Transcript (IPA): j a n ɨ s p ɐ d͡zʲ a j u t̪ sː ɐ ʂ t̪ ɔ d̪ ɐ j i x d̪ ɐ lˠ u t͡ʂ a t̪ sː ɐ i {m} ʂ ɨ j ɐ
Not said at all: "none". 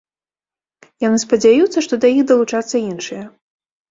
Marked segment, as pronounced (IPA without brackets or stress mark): n